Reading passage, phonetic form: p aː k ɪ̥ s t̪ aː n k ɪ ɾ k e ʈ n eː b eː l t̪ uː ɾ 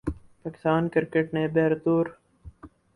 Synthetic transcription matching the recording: p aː k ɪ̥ s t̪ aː n k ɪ ɾ k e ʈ n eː b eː ɾ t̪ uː ɾ